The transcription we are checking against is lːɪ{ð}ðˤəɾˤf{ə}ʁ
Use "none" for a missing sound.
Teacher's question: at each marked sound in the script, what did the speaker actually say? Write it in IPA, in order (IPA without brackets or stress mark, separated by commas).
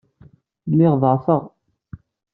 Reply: ʁ, ə